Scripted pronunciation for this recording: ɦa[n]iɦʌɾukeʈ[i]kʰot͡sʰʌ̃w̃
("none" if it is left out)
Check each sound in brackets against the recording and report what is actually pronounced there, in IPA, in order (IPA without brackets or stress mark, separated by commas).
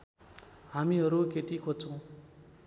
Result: m, i